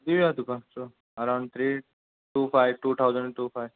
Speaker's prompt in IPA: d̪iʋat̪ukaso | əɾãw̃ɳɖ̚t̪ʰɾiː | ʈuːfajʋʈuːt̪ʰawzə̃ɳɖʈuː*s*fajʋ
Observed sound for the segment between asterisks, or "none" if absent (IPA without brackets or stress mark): none